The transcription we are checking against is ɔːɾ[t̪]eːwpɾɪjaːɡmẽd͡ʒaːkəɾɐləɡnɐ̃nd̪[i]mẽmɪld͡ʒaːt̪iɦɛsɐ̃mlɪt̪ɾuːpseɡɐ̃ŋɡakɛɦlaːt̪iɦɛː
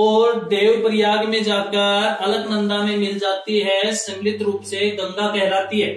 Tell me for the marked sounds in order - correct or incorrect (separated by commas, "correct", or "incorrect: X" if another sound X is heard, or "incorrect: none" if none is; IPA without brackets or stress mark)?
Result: incorrect: d̪, incorrect: a